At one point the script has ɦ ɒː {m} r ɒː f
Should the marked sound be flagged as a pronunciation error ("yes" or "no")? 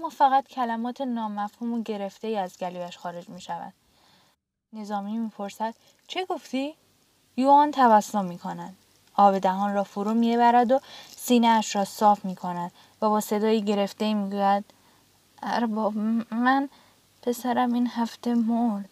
yes